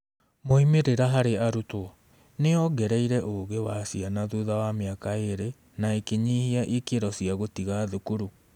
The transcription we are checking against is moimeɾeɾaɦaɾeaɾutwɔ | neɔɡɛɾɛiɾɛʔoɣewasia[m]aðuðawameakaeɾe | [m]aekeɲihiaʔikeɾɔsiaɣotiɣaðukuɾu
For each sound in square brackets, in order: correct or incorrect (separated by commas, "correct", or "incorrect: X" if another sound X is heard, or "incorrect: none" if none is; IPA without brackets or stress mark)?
incorrect: n, incorrect: n